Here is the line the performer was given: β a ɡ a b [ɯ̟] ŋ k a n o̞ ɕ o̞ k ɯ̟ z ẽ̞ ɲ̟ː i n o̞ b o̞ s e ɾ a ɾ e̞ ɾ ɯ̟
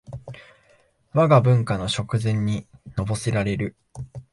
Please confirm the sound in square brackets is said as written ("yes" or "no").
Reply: no